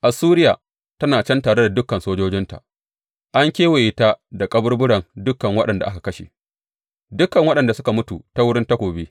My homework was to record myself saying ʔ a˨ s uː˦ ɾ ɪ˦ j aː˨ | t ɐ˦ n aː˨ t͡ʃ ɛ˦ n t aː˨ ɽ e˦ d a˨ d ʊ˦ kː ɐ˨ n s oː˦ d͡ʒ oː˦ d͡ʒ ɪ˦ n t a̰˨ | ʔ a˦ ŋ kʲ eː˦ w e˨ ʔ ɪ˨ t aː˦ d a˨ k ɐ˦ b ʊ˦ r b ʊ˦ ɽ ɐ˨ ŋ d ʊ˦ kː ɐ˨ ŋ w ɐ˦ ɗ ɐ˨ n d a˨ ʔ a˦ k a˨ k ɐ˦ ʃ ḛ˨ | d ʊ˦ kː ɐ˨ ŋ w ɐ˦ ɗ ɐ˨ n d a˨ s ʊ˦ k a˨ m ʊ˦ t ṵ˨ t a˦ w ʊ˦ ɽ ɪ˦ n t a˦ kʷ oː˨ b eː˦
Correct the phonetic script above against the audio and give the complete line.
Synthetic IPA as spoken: ʔ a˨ s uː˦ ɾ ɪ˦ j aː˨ | t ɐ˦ n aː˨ t͡ʃ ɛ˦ n t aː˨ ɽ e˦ d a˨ d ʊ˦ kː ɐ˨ n s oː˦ d͡ʒ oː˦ d͡ʒ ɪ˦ n t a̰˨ | ʔ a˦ ŋ kʲ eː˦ w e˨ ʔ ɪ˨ t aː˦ d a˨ kʼ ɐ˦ b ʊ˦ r b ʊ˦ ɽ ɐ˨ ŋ d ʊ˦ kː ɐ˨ ŋ w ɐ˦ ɗ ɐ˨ n d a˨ ʔ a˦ k a˨ k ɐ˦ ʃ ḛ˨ | d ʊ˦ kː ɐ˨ ŋ w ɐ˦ ɗ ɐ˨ n d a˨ s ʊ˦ k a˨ m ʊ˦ t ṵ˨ t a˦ w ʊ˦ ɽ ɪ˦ n t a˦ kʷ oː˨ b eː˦